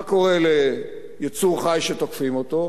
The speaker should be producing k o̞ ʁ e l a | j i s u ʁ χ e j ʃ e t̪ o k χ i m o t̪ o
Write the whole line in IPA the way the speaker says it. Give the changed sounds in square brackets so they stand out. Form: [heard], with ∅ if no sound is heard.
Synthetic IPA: k o̞ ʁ e l [e] | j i [t͡s] u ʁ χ [a] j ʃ e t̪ o k [f] i m o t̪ o

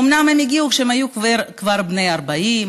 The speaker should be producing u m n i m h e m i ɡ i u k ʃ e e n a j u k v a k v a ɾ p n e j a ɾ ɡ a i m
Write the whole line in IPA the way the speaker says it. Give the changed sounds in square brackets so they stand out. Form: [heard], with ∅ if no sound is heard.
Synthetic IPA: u m n [a] m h e m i ɡ i u k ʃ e e [m] a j u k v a k v a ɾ [b] n e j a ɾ [b] a i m

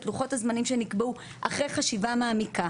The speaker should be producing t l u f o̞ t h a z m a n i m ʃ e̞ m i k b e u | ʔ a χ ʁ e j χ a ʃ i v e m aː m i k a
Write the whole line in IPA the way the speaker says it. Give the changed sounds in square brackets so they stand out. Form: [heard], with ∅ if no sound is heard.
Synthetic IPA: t l u [χ] o̞ t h a z m a n i m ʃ e̞ [n] i k b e u | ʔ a χ ʁ e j χ a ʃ i v [a] m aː m i k a

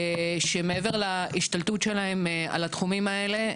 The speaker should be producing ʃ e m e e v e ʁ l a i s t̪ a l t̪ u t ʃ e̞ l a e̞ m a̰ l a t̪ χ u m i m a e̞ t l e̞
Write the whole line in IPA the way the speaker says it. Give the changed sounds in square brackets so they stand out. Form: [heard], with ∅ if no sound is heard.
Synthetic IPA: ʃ e m e e v e ʁ l a i [ʃ] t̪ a l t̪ u t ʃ e̞ l a e̞ m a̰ l a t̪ χ u m i m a e̞ [∅] l e̞

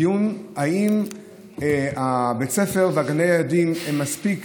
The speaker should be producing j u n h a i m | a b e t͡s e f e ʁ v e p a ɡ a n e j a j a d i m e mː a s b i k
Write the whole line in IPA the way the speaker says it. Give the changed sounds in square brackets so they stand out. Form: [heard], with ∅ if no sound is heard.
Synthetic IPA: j u n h a i m | a b e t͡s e f e ʁ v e [∅] a ɡ a n e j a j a d i m e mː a s [p] i k

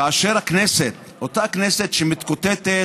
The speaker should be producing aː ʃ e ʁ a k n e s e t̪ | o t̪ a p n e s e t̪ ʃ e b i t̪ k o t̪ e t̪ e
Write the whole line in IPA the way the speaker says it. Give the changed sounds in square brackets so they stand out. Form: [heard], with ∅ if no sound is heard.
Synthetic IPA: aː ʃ e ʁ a k n e s e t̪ | o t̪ a [k] n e s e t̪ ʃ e [m] i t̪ k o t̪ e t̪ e

